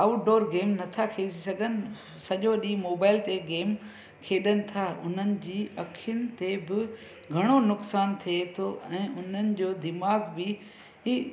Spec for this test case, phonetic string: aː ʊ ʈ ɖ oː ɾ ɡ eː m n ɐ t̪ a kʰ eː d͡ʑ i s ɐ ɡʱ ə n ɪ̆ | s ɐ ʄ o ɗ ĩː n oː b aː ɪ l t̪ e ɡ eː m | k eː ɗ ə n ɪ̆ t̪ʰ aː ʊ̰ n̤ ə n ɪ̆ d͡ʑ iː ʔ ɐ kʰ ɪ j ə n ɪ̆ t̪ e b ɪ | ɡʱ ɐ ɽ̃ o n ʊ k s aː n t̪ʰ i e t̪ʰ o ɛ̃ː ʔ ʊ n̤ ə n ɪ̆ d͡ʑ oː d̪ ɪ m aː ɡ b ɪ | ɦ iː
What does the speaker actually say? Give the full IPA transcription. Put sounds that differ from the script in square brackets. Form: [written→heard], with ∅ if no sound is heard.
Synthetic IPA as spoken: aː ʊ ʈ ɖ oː ɾ ɡ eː m n ɐ [t̪→t̪ʰ] a kʰ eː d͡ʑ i s ɐ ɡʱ ə n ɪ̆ | s ɐ ʄ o ɗ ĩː [n→m] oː b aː ɪ l t̪ e ɡ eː m | [k→kʰ] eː ɗ ə n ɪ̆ t̪ʰ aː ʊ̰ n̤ ə n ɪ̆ d͡ʑ iː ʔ ɐ kʰ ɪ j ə n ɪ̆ t̪ e b ɪ | ɡʱ ɐ ɽ̃ o n ʊ k s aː n t̪ʰ i e t̪ʰ o ɛ̃ː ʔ ʊ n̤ ə n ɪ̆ d͡ʑ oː d̪ ɪ m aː ɡ b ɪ | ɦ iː